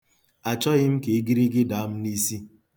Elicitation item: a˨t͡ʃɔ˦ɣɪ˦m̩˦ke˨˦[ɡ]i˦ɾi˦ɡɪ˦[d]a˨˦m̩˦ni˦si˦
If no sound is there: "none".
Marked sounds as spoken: ɡ, d

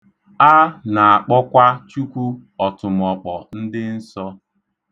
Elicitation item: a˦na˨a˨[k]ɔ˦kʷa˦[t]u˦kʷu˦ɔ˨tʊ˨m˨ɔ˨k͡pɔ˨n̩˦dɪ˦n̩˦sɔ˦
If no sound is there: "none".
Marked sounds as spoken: k͡p, t͡ʃ

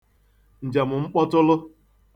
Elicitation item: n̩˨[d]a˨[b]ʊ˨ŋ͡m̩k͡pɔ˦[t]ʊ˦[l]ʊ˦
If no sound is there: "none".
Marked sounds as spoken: d͡ʒ, m, t, l

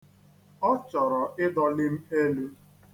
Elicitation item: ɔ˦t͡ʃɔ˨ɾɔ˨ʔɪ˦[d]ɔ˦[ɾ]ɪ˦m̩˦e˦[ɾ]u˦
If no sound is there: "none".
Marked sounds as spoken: d, l, l

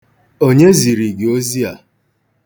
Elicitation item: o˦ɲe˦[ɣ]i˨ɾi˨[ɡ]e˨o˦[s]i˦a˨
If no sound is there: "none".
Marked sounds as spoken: z, ɡ, z

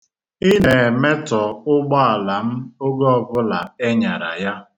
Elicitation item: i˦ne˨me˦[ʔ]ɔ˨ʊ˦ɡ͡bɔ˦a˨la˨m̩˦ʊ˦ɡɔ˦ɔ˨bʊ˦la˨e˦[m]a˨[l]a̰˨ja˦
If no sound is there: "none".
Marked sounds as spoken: t, ɲ, ɾ

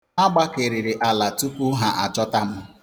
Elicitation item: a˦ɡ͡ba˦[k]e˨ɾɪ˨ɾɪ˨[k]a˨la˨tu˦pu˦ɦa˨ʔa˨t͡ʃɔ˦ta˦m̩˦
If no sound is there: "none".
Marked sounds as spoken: k, ʔ

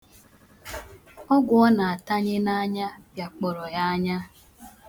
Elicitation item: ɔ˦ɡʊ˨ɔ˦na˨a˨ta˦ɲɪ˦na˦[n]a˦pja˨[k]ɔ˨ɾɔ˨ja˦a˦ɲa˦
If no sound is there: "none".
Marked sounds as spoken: ɲ, k͡p

